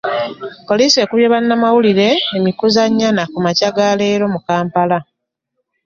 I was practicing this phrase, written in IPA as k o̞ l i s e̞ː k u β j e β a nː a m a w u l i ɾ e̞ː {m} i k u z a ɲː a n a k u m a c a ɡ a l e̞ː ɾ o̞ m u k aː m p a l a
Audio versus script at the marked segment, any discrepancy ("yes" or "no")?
no